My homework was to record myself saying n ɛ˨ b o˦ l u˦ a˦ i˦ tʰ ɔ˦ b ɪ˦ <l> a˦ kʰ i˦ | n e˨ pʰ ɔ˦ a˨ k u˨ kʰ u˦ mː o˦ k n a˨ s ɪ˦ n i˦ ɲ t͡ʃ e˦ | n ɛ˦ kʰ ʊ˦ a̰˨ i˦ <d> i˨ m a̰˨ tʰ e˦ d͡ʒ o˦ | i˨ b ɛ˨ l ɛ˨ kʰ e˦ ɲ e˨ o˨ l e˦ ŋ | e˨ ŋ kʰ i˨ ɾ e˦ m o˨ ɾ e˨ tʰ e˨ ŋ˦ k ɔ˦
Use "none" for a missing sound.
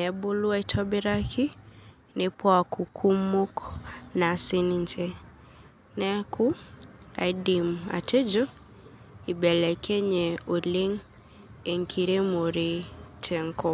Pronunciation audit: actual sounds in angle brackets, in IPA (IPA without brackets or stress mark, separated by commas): ɾ, d